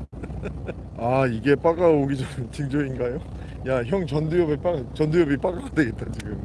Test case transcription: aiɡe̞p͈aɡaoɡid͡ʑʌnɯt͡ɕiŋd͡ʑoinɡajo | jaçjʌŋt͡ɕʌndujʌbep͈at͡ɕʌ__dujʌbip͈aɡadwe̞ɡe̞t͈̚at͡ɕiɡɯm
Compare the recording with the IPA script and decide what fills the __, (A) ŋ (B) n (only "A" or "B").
B